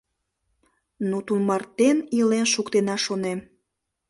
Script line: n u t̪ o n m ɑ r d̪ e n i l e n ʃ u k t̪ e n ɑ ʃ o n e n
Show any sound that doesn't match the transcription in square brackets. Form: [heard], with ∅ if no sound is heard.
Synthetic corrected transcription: n u t̪ [u] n m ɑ r [t̪] e n i l e n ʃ u k t̪ e n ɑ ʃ o n e [m]